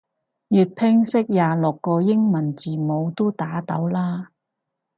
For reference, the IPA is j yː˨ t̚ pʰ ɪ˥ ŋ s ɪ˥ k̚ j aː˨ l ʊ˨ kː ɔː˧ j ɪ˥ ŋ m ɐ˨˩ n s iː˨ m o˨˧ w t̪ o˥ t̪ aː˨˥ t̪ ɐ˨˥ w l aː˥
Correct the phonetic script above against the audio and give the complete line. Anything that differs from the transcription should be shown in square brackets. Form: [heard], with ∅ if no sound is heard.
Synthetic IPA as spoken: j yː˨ t̚ pʰ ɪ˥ ŋ s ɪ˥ k̚ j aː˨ l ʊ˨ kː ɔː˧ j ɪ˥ ŋ m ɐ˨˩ n [t͡s] iː˨ m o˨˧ w t̪ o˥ t̪ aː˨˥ t̪ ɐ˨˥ w l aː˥